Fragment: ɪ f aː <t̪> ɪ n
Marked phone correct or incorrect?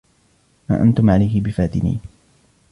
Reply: correct